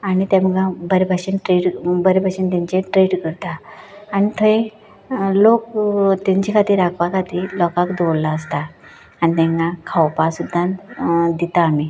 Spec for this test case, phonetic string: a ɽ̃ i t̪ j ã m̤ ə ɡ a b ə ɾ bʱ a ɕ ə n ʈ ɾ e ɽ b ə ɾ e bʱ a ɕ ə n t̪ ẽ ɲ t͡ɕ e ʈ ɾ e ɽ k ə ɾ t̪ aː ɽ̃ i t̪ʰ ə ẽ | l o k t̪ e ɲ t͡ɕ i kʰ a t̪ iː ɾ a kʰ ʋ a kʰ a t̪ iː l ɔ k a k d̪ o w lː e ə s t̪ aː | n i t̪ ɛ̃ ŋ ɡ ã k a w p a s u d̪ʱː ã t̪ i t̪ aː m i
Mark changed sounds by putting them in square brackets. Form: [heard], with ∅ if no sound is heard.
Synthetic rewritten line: a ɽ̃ i t̪ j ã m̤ ə ɡ a b ə ɾ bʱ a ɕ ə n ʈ ɾ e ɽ b ə ɾ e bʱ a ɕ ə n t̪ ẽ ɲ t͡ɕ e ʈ ɾ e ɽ k ə ɾ t̪ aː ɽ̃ i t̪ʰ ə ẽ | l o k t̪ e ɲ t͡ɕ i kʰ a t̪ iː ɾ a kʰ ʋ a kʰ a t̪ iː l ɔ k a k d̪ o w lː [a] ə s t̪ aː | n i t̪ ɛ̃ ŋ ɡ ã [kʰ] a w p a s u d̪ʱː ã [d̪] i t̪ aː m i